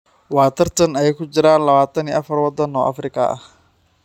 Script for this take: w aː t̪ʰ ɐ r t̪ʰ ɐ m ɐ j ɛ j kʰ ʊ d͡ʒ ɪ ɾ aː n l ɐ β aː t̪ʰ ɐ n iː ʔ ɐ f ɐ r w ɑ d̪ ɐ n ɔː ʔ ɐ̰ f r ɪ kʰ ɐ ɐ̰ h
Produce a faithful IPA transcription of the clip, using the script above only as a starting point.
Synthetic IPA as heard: w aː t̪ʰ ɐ r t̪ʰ ɐ n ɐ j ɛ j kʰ ʊ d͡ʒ ɪ ɾ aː n l ɐ β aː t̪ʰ ɐ n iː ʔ ɐ f ɐ r w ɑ d̪ ɐ n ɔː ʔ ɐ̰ f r ɪ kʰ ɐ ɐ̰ h